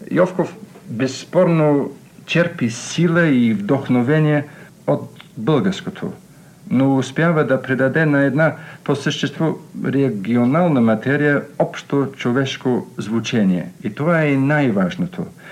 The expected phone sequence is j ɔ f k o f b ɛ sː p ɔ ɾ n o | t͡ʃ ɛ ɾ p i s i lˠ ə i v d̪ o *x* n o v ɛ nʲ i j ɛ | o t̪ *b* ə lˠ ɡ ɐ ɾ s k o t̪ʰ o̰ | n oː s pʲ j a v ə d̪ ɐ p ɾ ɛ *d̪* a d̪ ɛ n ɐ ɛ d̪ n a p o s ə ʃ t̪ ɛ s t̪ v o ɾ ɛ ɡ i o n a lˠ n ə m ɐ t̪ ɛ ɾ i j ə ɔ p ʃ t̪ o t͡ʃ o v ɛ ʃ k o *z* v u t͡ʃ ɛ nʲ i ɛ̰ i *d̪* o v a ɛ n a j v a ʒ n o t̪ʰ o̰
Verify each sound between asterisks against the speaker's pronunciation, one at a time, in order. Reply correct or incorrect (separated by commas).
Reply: correct, correct, correct, correct, incorrect